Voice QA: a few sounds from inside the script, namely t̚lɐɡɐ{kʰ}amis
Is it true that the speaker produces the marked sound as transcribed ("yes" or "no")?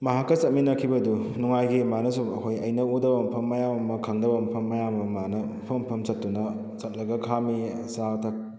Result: yes